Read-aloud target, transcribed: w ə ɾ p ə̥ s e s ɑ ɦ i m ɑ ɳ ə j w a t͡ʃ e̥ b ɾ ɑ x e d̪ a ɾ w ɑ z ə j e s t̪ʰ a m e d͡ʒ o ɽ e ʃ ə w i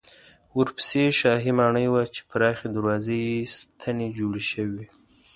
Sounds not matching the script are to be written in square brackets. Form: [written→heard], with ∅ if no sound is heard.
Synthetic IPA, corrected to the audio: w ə ɾ p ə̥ s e [s→ʃ] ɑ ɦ i m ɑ ɳ ə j w a t͡ʃ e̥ [b→p] ɾ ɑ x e d̪ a ɾ w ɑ z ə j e s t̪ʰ a [m→n] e d͡ʒ o ɽ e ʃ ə w i